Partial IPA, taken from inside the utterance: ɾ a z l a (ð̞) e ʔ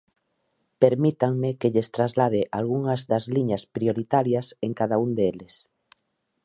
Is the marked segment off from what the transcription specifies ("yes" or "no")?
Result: no